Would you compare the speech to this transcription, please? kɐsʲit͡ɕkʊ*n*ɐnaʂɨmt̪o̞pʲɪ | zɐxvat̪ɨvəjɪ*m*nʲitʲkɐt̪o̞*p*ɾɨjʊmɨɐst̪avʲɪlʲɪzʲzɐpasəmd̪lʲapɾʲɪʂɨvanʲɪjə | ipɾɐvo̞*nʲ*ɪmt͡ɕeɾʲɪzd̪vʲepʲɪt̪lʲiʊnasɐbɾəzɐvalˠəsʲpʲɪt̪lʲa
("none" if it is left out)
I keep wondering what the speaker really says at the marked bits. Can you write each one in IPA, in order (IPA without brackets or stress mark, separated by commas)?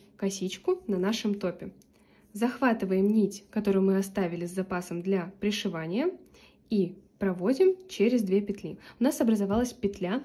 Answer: n, m, none, dʲ